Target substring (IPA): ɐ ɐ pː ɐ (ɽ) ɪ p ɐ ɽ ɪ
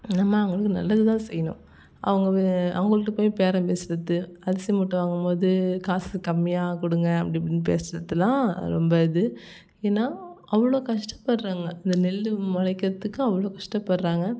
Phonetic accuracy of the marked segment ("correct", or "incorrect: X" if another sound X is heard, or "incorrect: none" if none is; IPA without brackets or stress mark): correct